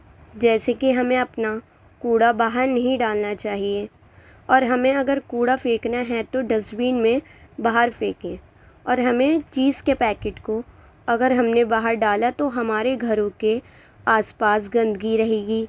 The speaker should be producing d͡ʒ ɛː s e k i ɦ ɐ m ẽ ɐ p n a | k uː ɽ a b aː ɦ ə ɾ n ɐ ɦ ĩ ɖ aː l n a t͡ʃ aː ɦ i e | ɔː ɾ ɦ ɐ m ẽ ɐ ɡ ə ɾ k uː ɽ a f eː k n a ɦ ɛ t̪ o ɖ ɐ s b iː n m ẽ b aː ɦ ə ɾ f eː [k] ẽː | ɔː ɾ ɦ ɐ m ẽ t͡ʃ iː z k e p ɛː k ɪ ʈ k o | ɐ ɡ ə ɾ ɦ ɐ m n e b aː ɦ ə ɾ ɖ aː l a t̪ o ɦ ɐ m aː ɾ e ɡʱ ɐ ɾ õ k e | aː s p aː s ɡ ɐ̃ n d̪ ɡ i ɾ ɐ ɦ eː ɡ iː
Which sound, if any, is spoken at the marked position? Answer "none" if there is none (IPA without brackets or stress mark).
k